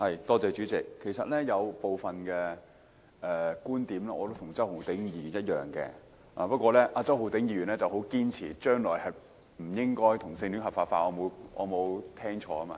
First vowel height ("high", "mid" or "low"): low